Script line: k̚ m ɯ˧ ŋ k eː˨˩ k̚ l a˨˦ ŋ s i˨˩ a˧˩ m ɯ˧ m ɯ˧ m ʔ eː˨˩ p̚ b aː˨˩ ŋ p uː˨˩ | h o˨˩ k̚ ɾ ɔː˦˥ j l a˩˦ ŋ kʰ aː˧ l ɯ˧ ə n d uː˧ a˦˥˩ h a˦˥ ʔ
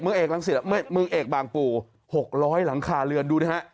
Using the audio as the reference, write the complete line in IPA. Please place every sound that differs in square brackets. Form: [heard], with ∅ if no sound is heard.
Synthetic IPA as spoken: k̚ m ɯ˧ ŋ [ʔ] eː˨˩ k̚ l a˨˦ ŋ s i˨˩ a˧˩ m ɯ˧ m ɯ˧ [ŋ] ʔ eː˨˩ [k̚] b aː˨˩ ŋ p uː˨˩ | h o˨˩ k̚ ɾ ɔː˦˥ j l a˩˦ ŋ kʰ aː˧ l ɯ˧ ə n d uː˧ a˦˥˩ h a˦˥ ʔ

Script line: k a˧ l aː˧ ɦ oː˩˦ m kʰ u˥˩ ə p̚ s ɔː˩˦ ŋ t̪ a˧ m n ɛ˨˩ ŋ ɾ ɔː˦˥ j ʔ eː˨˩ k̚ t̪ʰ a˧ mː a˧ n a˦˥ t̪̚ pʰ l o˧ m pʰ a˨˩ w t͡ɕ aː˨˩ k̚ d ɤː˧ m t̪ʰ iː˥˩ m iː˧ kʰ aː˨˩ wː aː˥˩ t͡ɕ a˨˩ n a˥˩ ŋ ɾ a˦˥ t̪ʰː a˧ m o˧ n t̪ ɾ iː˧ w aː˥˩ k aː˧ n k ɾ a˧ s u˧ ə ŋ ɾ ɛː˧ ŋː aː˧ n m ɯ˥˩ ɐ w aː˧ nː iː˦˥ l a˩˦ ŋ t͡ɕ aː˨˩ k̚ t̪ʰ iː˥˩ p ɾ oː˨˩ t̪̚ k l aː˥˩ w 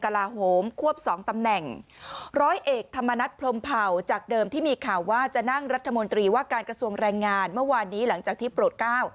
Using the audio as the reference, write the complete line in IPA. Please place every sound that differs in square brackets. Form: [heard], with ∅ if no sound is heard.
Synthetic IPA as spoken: k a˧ l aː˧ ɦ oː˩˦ m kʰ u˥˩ ə p̚ s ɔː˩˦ ŋ t̪ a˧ m n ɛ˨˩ ŋ ɾ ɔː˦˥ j ʔ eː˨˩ k̚ t̪ʰ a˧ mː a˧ n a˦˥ t̪̚ pʰ l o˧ m pʰ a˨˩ w t͡ɕ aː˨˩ k̚ d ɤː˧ m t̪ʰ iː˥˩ m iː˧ kʰ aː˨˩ wː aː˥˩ t͡ɕ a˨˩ n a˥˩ ŋ ɾ a˦˥ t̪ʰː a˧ m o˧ n t̪ ɾ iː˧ w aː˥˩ k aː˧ n k ɾ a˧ s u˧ ə ŋ ɾ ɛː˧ ŋː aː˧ n m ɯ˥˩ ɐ w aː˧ nː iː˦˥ l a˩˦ ŋ t͡ɕ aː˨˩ k̚ t̪ʰ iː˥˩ p ɾ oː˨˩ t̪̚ k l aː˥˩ w

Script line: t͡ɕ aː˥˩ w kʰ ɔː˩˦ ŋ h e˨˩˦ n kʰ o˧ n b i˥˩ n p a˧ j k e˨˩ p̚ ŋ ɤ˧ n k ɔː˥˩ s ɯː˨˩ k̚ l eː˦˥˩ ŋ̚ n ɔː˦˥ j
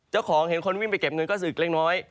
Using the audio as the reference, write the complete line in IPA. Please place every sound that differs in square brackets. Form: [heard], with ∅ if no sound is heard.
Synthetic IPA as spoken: t͡ɕ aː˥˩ w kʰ ɔː˩˦ ŋ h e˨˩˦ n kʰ o˧ n [w] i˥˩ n p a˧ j k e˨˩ p̚ ŋ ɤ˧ n k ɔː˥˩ s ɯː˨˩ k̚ l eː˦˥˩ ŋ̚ n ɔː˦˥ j

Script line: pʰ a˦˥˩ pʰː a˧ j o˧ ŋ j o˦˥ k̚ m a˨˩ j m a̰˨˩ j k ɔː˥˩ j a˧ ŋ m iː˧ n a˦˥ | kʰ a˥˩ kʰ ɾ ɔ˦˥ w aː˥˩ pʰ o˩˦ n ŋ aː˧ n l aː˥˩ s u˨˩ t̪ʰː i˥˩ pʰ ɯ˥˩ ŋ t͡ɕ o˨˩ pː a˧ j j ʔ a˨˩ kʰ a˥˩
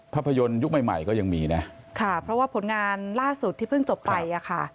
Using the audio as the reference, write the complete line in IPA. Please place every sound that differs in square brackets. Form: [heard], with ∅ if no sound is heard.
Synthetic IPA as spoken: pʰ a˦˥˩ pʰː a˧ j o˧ [n] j [u˦˥] k̚ m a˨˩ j m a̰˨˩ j k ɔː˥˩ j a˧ ŋ m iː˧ n a˦˥ | kʰ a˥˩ [pʰ] ɾ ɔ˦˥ w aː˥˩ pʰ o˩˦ n ŋ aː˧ n l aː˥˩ s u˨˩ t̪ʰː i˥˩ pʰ ɯ˥˩ ŋ t͡ɕ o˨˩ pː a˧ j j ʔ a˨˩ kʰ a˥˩

